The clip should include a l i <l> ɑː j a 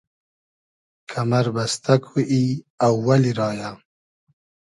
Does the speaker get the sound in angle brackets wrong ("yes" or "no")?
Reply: yes